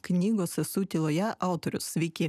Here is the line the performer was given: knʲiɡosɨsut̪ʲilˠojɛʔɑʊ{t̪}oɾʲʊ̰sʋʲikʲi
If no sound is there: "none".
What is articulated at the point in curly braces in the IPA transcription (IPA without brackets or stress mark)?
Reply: t̪